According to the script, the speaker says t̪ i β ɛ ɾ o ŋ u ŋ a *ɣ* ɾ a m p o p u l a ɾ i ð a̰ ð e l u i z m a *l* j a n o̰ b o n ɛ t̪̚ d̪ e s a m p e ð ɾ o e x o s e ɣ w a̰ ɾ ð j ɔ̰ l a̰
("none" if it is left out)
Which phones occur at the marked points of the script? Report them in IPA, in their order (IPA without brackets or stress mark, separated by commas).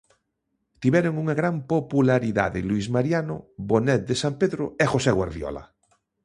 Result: ɣ, ɾ